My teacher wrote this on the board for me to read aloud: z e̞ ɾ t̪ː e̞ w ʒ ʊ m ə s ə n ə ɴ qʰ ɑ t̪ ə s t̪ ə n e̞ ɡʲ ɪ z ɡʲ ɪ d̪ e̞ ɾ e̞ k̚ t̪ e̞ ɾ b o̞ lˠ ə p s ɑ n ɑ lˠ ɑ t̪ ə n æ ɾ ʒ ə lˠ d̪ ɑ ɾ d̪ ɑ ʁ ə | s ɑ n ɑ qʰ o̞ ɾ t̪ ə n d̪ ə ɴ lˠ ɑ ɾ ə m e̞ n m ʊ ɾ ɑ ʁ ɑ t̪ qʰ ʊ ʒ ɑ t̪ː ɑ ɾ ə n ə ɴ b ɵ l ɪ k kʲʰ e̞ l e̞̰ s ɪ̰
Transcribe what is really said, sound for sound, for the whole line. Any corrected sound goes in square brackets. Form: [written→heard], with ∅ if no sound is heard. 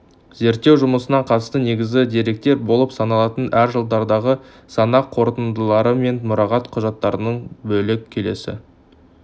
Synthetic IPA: z e̞ ɾ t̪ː e̞ w ʒ ʊ m ə s ə n [ə→ɑ] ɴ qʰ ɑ t̪ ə s t̪ ə n e̞ ɡʲ ɪ z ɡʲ ɪ d̪ e̞ ɾ e̞ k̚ t̪ e̞ ɾ b o̞ lˠ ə p s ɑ n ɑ lˠ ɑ t̪ ə n æ ɾ ʒ ə lˠ d̪ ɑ ɾ d̪ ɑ ʁ ə | s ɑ n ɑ qʰ o̞ ɾ t̪ ə n d̪ ə [ɴ→∅] lˠ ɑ ɾ ə m e̞ n m ʊ ɾ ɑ ʁ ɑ t̪ qʰ ʊ ʒ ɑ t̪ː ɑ ɾ ə n ə ɴ b ɵ l ɪ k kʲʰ e̞ l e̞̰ s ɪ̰